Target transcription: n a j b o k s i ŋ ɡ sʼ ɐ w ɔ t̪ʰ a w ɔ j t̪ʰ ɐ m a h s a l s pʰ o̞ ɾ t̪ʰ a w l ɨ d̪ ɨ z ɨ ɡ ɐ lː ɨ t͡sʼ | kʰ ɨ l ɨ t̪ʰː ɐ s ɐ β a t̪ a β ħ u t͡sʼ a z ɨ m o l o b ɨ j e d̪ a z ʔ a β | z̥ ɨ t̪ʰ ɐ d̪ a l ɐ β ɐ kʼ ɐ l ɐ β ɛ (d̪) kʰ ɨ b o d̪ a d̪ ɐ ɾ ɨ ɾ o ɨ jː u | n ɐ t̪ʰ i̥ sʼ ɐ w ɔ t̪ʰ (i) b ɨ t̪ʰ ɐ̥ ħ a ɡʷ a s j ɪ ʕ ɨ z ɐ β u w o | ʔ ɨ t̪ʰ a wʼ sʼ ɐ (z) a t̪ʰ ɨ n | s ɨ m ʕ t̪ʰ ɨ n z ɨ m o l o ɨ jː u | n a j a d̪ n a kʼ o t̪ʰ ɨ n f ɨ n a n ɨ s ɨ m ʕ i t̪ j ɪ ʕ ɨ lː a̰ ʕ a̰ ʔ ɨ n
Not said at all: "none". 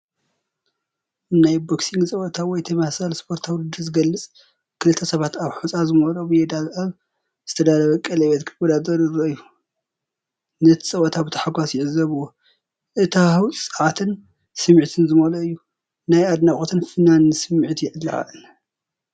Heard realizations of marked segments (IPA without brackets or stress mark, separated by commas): t̪, a, ʕ